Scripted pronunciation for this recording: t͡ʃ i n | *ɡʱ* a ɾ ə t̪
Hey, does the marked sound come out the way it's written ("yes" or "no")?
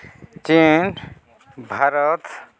no